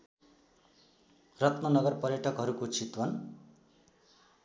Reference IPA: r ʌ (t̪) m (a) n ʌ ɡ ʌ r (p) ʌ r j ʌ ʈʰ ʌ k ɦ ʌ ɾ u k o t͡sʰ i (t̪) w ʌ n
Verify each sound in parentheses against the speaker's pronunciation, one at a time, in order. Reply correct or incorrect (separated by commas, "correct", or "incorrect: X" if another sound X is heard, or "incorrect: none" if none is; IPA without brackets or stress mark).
correct, incorrect: ʌ, correct, correct